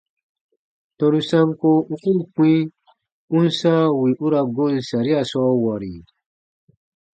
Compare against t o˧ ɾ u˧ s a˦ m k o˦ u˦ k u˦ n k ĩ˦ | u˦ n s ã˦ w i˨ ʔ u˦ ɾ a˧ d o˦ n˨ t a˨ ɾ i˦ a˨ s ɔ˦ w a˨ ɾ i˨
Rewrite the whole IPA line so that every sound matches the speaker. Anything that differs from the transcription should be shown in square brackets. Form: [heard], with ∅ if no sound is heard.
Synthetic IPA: t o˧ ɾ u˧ s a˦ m k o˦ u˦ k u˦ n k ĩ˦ | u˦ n s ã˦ w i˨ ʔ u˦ ɾ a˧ [ɡ] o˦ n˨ [s] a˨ ɾ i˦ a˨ s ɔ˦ w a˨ ɾ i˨